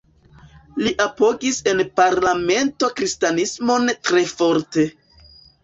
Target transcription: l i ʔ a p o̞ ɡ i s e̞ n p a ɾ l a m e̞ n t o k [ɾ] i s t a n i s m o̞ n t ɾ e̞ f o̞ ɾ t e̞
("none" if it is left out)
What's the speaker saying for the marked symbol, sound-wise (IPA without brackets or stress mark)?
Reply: ɾ